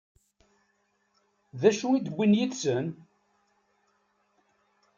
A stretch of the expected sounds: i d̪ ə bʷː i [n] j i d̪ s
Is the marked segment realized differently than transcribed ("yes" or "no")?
no